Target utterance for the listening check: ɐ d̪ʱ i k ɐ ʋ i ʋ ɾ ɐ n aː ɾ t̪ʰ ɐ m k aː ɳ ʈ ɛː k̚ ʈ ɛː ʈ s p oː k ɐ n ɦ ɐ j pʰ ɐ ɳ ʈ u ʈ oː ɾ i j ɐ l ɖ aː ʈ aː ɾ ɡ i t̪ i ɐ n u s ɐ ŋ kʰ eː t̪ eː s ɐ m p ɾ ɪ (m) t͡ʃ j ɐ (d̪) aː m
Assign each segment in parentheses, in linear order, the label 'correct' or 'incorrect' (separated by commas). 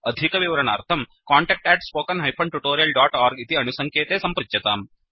incorrect, incorrect